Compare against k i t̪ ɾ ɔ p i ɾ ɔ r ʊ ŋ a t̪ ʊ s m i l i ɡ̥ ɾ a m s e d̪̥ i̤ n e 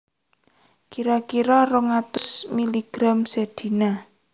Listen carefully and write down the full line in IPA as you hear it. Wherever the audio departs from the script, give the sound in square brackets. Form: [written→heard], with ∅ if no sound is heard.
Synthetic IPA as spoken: k i [t̪→∅] ɾ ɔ [p→k] i ɾ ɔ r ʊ ŋ a t̪ ʊ s m i l i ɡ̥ ɾ a m s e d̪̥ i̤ n [e→a]